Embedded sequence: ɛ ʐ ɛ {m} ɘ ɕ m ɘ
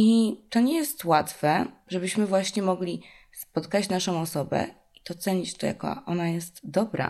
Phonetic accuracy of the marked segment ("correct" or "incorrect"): incorrect